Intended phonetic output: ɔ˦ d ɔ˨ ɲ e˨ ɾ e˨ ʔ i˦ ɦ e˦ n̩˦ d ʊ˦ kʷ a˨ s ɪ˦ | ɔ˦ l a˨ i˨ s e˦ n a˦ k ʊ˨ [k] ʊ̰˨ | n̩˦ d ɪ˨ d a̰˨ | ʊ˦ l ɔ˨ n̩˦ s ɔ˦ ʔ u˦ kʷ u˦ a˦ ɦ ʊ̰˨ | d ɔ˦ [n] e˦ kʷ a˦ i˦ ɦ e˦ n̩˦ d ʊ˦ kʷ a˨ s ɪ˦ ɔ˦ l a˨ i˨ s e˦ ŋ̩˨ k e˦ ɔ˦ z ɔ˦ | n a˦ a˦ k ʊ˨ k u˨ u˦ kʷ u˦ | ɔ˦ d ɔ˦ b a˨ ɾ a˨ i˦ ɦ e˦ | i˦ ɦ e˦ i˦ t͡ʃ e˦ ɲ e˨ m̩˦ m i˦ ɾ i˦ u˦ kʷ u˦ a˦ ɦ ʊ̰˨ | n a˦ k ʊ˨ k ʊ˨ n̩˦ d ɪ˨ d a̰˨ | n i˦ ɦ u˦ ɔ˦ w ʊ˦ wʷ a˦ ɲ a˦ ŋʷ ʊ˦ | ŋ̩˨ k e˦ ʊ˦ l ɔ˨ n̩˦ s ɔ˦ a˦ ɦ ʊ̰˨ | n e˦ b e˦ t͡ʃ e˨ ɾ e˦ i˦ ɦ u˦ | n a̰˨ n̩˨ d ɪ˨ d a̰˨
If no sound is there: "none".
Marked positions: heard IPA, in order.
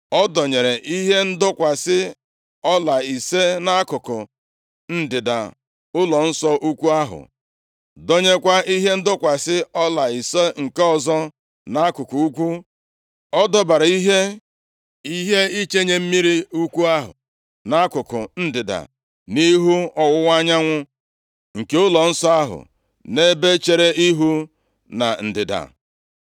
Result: k, ɲ

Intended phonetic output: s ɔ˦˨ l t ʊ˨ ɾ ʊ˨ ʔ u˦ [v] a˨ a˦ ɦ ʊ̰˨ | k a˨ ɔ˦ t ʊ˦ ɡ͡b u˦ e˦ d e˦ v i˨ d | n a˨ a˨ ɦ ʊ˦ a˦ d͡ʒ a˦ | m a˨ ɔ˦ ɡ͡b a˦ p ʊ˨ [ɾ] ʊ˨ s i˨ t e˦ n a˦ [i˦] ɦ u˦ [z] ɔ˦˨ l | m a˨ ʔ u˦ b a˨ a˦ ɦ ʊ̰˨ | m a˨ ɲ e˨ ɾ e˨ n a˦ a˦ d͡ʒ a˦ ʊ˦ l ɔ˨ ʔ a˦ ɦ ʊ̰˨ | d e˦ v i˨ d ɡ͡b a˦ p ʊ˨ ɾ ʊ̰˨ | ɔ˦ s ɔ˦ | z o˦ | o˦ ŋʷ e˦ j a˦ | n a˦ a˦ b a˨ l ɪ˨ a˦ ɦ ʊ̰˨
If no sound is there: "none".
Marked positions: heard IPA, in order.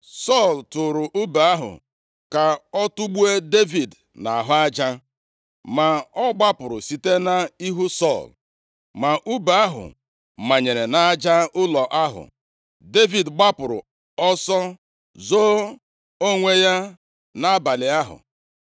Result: b, ɾ, i˦, s

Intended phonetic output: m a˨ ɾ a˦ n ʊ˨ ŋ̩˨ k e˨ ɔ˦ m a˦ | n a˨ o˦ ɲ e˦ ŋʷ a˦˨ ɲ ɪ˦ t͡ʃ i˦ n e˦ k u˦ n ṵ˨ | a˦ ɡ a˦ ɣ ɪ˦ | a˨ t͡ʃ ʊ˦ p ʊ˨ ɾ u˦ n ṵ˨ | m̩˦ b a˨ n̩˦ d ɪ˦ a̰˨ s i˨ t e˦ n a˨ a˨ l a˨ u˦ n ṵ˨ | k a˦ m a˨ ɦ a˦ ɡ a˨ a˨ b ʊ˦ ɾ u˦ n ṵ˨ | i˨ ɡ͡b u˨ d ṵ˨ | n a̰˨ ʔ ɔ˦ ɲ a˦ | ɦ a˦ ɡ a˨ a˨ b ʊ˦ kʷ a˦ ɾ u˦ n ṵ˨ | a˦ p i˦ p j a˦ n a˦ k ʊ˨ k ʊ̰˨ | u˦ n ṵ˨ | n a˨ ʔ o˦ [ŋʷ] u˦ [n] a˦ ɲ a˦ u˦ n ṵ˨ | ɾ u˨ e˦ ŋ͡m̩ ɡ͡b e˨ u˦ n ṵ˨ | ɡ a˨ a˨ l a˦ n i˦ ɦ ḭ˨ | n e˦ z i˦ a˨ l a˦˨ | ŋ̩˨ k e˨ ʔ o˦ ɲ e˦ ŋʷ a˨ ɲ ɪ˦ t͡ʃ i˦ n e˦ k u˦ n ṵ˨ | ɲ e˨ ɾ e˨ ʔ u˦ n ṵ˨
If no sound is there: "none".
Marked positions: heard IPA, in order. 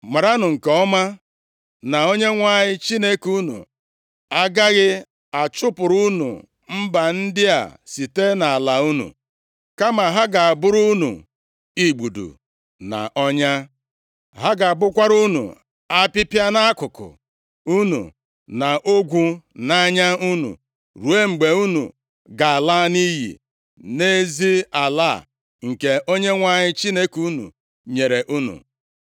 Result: ɡʷ, n

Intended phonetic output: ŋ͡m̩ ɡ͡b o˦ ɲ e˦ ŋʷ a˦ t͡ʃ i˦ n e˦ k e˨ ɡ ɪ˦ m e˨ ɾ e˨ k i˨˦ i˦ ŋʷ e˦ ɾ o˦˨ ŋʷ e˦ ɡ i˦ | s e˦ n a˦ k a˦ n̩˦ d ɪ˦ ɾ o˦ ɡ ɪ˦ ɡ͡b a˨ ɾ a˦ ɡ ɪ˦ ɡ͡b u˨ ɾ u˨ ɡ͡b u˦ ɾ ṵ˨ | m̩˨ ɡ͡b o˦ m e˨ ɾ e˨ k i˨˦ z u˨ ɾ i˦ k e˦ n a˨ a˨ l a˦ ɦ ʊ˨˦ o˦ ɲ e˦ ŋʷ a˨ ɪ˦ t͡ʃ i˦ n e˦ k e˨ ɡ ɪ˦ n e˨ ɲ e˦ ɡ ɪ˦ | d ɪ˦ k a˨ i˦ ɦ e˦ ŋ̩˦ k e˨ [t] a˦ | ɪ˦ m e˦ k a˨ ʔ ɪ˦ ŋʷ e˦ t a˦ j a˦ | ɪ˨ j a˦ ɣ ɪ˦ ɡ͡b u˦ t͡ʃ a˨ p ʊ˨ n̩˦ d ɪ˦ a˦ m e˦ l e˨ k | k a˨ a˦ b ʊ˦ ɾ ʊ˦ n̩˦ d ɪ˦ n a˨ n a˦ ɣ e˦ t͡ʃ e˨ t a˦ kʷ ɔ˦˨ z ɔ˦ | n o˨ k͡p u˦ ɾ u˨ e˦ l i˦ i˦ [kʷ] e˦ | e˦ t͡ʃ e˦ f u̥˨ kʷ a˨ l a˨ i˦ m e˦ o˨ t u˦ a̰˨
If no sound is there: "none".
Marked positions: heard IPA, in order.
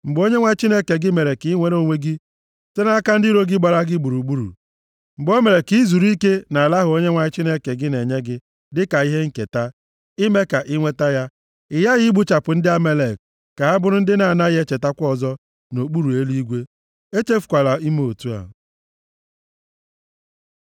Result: t, ɡʷ

